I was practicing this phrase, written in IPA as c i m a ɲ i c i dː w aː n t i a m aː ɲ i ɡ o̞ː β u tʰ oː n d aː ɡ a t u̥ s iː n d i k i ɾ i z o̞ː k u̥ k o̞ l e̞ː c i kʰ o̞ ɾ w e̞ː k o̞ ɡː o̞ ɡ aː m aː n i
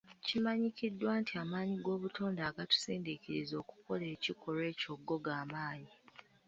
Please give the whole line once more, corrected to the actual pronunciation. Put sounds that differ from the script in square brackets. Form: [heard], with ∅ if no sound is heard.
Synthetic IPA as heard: c i m a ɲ i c i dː w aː n t i a m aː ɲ i ɡ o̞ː β u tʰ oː n d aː ɡ a t u̥ s iː n d i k i ɾ i z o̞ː k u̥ k o̞ l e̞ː c i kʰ o̞ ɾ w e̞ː [c] o̞ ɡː o̞ ɡ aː m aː [ɲ] i